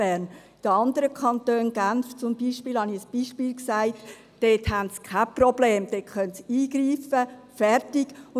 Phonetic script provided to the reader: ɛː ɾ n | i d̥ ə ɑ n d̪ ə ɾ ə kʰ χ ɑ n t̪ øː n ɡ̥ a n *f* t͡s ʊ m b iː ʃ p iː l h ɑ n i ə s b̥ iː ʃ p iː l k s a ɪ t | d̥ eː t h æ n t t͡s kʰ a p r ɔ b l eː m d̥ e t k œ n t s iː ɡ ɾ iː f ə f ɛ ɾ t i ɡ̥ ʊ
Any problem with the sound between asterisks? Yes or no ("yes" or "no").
no